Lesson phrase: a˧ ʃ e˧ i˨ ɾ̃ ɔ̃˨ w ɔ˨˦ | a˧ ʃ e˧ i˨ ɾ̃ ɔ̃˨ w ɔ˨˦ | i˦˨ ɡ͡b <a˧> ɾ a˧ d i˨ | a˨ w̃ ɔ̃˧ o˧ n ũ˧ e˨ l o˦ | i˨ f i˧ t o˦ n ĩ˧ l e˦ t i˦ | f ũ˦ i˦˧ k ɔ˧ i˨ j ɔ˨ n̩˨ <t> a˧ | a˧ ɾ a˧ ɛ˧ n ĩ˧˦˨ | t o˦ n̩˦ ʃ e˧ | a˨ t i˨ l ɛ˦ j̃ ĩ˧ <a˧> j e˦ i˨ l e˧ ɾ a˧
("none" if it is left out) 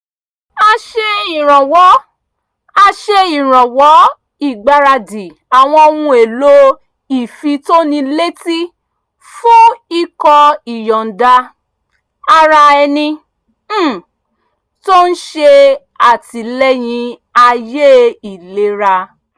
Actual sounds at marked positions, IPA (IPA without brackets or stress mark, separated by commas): a˧, d, a˧